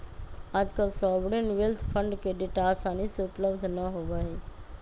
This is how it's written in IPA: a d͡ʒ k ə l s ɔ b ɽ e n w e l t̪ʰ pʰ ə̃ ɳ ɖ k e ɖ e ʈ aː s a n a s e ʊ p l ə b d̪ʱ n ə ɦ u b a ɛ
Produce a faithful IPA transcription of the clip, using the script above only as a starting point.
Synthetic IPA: a d͡ʒ k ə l s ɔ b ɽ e n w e l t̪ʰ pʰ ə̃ ɳ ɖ k e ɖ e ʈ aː s a n i s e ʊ p l ə b d̪ʱ n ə ɦ o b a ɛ